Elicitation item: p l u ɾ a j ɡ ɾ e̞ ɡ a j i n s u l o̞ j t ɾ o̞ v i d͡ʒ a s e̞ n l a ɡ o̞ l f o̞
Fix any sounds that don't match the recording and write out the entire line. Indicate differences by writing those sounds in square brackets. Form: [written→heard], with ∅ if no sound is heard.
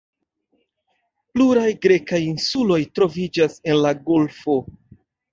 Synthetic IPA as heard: p l u ɾ a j ɡ ɾ e̞ [ɡ→k] a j i n s u l o̞ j t ɾ o̞ v i d͡ʒ a s e̞ n l a ɡ o̞ l f o̞